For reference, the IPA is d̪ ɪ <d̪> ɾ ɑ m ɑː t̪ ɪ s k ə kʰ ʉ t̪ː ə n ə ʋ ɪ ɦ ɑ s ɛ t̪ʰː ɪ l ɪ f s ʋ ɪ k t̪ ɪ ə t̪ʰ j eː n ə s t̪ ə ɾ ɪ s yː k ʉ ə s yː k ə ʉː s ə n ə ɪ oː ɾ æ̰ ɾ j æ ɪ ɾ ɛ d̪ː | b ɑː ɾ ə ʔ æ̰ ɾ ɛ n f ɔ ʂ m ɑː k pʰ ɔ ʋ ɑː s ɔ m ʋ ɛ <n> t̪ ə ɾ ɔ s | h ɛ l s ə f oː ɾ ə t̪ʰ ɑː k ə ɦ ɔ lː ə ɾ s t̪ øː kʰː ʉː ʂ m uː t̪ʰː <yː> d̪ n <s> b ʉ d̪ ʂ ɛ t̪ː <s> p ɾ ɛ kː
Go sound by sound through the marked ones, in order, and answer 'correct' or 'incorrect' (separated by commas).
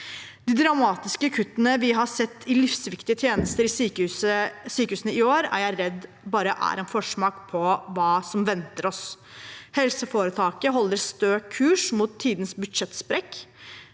correct, correct, incorrect, correct, correct